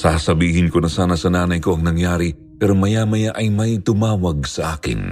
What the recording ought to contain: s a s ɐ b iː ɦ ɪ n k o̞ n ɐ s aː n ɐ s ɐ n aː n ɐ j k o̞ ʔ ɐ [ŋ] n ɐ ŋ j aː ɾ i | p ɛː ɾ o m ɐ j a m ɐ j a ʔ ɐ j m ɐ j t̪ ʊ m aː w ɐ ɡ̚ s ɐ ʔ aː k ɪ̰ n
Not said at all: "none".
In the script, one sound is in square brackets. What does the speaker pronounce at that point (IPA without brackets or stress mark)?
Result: ŋ